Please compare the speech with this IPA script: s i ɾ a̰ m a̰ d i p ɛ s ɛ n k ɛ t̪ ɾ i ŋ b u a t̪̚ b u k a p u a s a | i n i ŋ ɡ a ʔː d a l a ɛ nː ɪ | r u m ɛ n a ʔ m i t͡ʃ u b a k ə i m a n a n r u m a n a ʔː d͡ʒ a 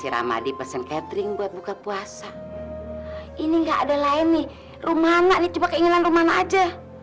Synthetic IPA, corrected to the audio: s i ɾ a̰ m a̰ d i p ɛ s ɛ n k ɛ t̪ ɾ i ŋ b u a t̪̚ b u k a p u a s a | i n i ŋ ɡ a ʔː d a l a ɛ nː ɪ | r u m a n a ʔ n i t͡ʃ u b a k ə i ŋ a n a n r u m a n a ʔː d͡ʒ a